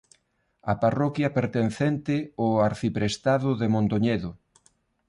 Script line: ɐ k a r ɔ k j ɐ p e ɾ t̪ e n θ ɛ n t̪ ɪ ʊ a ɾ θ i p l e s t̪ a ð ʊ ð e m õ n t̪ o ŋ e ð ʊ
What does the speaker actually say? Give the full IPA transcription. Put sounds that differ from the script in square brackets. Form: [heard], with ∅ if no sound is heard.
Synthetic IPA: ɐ [p] a r ɔ k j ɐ p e ɾ t̪ e n θ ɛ n t̪ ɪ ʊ a ɾ θ i p [ɾ] e s t̪ a ð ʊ ð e m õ n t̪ o [ɲ] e ð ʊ